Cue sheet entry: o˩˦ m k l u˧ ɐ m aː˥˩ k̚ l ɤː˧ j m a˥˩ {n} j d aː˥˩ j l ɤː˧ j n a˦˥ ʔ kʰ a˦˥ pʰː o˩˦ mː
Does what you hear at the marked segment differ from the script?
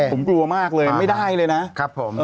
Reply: yes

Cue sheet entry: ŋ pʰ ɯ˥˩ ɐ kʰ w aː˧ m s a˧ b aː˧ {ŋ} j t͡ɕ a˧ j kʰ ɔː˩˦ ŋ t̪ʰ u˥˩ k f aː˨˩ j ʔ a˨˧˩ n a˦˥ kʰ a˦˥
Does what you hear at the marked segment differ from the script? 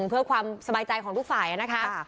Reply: yes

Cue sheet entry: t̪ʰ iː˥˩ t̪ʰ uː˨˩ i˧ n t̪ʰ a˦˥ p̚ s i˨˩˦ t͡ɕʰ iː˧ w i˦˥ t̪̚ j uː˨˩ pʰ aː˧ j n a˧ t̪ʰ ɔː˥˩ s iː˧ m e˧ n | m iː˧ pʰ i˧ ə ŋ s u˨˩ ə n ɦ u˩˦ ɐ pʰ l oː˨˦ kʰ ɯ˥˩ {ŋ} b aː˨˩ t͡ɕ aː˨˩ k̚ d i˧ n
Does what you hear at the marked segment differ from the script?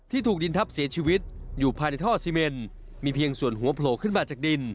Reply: yes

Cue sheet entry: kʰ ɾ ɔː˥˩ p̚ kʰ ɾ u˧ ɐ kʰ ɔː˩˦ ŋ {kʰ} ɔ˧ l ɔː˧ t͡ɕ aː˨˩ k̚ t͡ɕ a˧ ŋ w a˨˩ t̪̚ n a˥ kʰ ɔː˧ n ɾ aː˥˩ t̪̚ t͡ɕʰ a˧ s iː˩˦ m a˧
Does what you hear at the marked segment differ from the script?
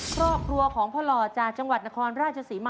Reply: yes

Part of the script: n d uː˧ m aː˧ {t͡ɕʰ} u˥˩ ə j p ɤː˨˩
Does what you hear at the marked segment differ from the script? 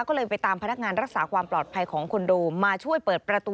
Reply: no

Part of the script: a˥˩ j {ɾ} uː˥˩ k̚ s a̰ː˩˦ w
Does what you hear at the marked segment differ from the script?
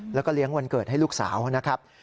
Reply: yes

